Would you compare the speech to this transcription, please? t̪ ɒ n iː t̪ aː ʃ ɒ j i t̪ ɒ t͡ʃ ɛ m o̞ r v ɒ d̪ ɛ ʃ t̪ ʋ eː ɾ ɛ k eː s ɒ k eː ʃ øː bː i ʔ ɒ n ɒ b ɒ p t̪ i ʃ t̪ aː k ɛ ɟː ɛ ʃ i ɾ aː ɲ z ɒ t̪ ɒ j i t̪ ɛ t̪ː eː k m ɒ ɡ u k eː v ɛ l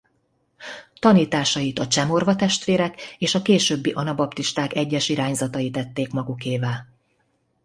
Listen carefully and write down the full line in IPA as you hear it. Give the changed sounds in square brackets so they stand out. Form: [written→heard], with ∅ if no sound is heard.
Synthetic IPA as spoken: t̪ ɒ n iː t̪ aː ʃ ɒ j i t̪ ɒ t͡ʃ ɛ m o̞ r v ɒ [d̪→t̪] ɛ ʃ t̪ ʋ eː ɾ ɛ k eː [s→ʃ] ɒ k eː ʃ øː bː i ʔ ɒ n ɒ b ɒ p t̪ i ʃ t̪ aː k ɛ ɟː ɛ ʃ i ɾ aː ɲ z ɒ t̪ ɒ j i t̪ ɛ t̪ː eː k m ɒ ɡ u k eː v ɛ l